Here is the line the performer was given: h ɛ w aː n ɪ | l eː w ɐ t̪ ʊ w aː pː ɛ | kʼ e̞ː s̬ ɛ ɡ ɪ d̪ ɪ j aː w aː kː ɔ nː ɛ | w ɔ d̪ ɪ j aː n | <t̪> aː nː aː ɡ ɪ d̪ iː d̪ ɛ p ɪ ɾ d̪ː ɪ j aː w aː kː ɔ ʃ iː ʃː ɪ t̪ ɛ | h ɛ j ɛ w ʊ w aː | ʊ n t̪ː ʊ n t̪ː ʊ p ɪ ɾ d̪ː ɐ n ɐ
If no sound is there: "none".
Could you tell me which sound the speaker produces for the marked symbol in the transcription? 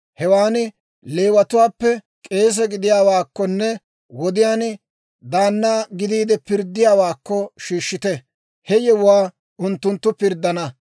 d̪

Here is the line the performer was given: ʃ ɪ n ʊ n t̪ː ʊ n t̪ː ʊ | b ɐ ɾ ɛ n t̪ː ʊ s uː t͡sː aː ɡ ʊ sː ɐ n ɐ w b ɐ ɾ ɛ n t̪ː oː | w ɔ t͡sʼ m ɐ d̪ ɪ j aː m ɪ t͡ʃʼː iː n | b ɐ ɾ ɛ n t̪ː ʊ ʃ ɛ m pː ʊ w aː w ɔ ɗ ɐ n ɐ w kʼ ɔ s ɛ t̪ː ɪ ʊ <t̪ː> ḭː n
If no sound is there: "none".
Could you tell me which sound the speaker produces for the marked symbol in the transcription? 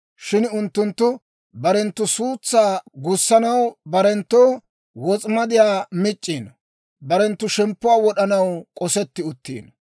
t̪ː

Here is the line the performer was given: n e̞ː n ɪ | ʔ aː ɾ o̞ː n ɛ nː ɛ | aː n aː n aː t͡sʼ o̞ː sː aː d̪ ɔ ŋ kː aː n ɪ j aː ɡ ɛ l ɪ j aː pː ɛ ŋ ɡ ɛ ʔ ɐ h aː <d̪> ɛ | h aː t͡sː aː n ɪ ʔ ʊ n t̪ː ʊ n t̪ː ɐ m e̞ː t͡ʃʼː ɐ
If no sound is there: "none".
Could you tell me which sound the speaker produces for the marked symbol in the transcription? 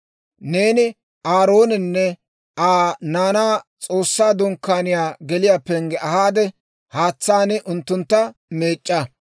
d̪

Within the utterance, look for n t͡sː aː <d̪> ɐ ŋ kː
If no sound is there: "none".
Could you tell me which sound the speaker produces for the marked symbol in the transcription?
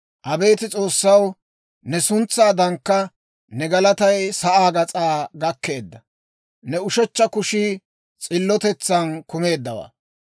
d̪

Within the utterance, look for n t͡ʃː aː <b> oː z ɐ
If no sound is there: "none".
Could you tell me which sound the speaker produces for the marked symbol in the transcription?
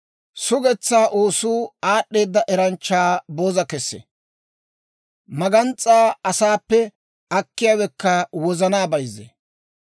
b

